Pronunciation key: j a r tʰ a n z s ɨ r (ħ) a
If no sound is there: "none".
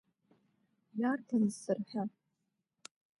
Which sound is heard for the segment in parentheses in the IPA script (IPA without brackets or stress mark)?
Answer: ħ